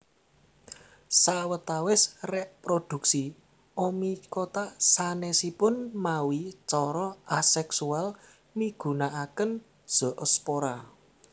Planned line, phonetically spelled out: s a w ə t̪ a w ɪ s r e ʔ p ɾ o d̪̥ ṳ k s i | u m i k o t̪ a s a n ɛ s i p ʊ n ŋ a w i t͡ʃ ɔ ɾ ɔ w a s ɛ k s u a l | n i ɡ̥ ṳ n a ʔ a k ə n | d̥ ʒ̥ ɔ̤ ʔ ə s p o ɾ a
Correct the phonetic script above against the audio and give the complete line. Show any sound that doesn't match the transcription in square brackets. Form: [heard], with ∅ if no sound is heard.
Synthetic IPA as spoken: s a w ə t̪ a w ɪ s r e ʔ p ɾ o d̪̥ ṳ k s i | [o] m i k o t̪ a s a n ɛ s i p ʊ n [m] a w i t͡ʃ ɔ ɾ ɔ [∅] a s ɛ k s u a l | [m] i ɡ̥ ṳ n a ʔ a k ə n | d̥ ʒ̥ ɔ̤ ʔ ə s p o ɾ a